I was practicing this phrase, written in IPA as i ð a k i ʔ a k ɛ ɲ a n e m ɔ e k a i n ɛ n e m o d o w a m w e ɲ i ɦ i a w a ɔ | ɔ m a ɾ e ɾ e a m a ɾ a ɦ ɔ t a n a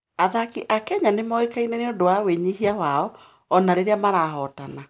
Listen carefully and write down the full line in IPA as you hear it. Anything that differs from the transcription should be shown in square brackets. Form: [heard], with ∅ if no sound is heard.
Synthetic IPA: [a] ð a k i ʔ a k ɛ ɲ a n e m ɔ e k a i n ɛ n e [∅] o d o w a [∅] w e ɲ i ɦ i a w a ɔ | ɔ [n] a ɾ e ɾ e a m a ɾ a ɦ ɔ t a n a